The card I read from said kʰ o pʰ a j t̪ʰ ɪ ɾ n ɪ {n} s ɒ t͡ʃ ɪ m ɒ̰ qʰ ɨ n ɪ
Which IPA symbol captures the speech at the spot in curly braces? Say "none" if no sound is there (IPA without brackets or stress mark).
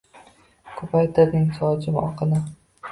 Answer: ŋ